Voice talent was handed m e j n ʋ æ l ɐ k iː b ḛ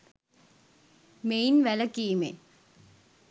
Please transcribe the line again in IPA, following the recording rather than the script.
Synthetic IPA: m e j n ʋ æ l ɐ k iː m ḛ